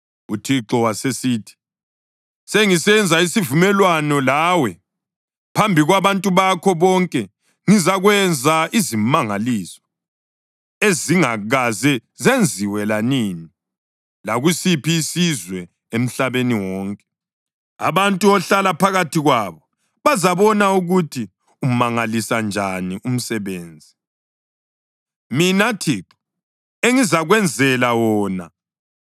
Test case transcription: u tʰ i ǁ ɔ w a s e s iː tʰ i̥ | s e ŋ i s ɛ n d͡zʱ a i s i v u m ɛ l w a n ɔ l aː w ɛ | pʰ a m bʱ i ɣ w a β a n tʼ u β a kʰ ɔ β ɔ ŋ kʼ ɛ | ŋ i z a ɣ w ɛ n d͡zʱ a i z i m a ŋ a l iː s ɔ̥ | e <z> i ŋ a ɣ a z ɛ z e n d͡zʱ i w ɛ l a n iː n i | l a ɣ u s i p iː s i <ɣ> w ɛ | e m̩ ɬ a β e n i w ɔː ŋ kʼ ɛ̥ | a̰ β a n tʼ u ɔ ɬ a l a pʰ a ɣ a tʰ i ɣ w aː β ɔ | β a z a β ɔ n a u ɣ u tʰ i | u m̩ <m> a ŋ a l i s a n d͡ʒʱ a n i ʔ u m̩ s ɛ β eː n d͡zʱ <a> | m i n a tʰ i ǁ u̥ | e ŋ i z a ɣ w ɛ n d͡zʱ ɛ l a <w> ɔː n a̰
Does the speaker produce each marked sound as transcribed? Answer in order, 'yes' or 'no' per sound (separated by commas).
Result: yes, no, yes, no, yes